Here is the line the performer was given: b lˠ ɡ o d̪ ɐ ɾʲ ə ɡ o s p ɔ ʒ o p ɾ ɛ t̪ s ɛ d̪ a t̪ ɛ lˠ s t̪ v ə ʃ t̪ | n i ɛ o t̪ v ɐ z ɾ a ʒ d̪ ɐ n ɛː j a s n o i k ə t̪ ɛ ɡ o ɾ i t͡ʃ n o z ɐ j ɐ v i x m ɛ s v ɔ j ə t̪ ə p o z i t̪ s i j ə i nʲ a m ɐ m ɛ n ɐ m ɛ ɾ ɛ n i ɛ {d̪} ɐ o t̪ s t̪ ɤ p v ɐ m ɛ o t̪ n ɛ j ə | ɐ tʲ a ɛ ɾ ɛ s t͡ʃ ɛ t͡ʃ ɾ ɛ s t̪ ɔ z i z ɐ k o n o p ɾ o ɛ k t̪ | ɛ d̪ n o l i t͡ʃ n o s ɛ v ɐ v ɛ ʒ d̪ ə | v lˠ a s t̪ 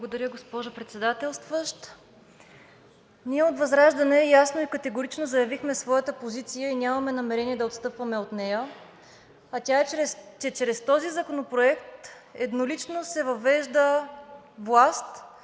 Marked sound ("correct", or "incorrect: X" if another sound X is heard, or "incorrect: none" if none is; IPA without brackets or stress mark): correct